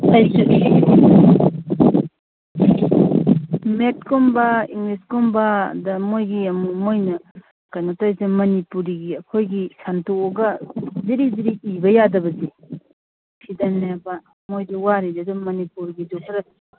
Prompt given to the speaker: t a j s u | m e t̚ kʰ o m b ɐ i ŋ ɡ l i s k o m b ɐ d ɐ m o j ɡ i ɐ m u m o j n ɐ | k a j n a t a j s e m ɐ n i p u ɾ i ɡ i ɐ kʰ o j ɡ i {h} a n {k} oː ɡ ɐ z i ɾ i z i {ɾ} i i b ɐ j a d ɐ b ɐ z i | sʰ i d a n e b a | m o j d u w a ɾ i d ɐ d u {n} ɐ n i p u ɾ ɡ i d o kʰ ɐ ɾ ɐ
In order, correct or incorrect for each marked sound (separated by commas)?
incorrect, incorrect, correct, incorrect